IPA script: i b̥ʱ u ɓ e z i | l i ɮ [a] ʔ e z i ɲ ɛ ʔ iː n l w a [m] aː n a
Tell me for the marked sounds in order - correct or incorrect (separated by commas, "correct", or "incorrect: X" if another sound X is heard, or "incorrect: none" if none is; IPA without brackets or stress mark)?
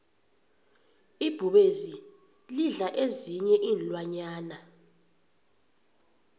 correct, incorrect: ɲ